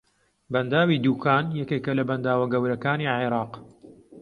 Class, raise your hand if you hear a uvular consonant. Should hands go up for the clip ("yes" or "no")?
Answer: yes